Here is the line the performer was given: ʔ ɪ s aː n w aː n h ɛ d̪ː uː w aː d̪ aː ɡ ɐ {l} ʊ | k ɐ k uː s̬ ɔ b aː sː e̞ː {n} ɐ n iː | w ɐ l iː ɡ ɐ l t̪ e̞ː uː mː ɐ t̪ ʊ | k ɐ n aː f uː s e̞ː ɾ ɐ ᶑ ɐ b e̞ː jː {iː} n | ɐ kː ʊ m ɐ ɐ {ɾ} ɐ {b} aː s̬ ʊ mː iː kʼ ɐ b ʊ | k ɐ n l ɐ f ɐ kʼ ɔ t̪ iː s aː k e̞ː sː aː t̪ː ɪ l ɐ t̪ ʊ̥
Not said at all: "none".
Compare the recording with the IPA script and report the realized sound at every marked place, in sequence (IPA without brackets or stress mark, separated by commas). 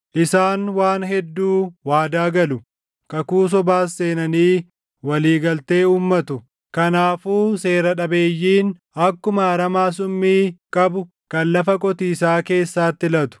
l, n, iː, ɾ, m